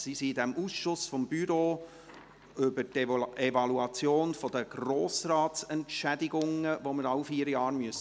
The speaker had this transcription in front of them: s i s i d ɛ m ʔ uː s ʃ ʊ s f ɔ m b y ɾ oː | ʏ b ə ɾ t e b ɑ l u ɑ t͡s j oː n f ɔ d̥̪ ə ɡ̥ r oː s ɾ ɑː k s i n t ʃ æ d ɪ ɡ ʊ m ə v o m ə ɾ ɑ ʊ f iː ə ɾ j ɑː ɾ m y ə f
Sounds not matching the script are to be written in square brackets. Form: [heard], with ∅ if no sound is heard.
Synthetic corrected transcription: s i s i d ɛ m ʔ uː s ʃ ʊ s f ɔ m b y ɾ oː | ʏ b ə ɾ t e [v] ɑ l u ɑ t͡s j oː n f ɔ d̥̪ ə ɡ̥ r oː s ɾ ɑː [t] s [ɛ] n t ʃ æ d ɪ ɡ ʊ [ŋ] ə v o m ə ɾ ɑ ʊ f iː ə ɾ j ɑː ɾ m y ə [s]

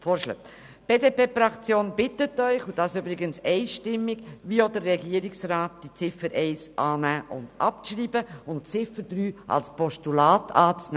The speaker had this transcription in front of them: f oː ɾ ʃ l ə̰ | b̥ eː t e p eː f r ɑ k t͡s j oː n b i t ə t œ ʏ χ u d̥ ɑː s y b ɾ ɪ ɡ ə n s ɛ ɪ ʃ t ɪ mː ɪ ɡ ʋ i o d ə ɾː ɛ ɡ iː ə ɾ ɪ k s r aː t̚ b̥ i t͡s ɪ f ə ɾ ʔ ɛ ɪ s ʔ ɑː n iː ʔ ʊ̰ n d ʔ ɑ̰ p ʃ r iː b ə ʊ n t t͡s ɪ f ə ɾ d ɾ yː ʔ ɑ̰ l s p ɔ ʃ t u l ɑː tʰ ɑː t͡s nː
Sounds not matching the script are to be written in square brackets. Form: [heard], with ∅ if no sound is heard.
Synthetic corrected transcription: f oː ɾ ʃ l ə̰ | b̥ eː [d] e p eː f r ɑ k t͡s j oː n b [ɪ] t ə t œ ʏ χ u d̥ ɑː s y b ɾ ɪ ɡ ə n s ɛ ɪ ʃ t ɪ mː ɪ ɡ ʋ i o d ə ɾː ɛ ɡ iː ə ɾ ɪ k s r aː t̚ [d̥] i t͡s ɪ f ə ɾ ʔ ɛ ɪ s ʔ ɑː n [æː] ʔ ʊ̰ n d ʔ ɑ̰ p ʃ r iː b ə ʊ n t t͡s ɪ f ə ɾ d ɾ yː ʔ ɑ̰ l s p ɔ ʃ t u l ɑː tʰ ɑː t͡s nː

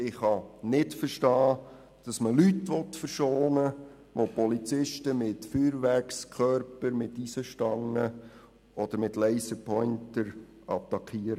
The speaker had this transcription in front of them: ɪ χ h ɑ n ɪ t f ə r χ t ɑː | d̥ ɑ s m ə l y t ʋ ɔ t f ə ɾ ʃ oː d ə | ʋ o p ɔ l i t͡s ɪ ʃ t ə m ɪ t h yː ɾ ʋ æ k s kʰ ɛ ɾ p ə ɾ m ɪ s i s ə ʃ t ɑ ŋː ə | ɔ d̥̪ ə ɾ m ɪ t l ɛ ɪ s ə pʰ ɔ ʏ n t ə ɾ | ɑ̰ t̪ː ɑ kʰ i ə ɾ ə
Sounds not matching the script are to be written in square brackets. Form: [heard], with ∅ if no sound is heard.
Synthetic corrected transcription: ɪ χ h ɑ n ɪ t f ə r [ʃ] t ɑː | d̥ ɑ s m ə l y t ʋ ɔ t f ə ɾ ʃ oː [n] ə | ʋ o p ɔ l i t͡s ɪ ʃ t ə m ɪ t [f] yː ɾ ʋ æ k s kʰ [œ] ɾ p ə ɾ m ɪ [t] i s ə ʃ t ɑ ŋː ə | ɔ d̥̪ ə ɾ m ɪ t l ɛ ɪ s ə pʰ ɔ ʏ n t ə ɾ | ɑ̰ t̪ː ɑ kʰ i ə ɾ ə

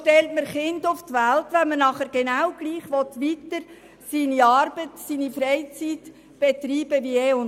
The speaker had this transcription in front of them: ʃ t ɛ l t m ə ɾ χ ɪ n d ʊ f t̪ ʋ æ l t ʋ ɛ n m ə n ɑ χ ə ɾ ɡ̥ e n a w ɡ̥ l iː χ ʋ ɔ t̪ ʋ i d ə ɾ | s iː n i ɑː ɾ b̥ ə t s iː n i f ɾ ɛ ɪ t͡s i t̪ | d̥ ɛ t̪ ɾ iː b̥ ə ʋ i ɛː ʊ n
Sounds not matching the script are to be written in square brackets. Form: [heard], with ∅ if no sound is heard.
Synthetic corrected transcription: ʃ t ɛ l t m ə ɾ χ ɪ n d ʊ f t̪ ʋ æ l t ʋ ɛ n m ə n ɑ χ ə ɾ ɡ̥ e n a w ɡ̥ l iː χ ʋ ɔ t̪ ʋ i [t] ə ɾ | s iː n i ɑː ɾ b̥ ə t s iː n i f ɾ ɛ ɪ t͡s i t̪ | [b̥] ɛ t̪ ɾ iː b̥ ə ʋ i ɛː ʊ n

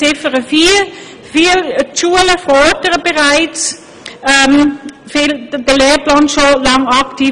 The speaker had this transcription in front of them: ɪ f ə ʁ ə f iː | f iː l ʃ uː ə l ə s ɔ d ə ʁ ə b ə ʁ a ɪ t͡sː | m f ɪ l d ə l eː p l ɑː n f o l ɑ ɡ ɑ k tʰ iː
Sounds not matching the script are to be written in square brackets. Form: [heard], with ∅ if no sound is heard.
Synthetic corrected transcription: ɪ f ə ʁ ə f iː | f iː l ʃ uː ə l ə [f] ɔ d ə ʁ ə b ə ʁ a ɪ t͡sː | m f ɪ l d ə l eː p l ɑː n [ʃ] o l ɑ [ŋ] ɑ k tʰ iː

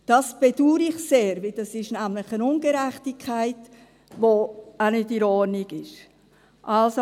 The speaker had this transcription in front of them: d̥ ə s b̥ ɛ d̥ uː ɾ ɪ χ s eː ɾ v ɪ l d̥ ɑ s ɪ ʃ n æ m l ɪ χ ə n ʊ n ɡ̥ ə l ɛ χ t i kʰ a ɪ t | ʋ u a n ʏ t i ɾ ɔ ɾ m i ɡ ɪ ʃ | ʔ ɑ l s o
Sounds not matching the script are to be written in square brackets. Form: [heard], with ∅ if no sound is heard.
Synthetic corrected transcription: d̥ [ɑ] s b̥ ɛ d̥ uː ɾ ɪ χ s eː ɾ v ɪ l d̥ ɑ s ɪ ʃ n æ m l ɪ χ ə n ʊ n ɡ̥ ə [ɾ] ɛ χ t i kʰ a ɪ t | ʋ [o] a n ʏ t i ɾ ɔ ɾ [n] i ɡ ɪ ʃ | ʔ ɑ l s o

